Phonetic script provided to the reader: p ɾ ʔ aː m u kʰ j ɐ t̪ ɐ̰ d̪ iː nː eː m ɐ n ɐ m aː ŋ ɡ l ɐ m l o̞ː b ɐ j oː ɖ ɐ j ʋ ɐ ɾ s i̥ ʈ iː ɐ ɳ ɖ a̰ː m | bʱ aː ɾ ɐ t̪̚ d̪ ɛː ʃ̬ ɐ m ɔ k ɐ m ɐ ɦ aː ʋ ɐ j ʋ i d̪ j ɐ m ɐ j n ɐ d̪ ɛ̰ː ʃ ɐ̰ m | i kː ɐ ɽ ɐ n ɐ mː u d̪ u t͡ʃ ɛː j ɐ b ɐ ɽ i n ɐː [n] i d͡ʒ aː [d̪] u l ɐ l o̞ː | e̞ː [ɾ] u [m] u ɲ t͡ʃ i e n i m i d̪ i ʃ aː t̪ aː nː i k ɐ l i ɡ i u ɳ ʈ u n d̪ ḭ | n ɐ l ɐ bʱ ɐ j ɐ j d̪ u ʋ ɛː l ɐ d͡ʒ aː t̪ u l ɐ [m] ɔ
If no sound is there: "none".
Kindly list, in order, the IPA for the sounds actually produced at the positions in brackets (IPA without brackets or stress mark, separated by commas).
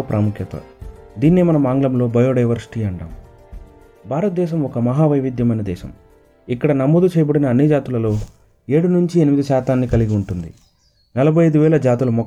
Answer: nː, t̪, ɽ, n, m